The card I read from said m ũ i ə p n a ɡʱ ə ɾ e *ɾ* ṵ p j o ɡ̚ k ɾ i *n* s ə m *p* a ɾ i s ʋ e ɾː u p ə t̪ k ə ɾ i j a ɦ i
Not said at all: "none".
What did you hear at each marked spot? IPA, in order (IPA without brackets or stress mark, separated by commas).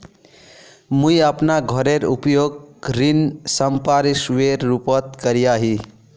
ɾ, n, p